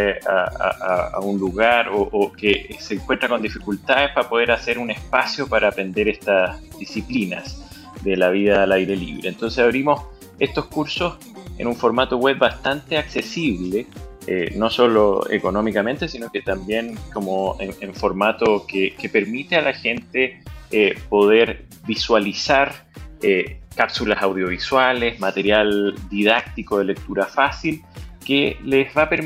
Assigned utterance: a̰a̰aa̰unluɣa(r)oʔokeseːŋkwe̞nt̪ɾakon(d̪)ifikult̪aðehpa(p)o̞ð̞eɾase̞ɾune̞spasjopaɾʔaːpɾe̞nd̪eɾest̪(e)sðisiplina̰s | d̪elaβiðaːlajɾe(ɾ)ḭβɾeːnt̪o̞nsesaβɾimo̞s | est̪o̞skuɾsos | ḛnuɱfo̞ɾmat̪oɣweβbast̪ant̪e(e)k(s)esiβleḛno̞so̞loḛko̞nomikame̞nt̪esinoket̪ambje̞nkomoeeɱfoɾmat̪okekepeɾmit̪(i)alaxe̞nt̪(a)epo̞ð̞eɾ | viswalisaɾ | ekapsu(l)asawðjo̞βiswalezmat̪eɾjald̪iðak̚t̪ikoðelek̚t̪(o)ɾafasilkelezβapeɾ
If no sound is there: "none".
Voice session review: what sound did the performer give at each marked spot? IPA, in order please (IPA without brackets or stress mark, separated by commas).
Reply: ɾ, d̪, p, a, l, a, s, e, e, l, u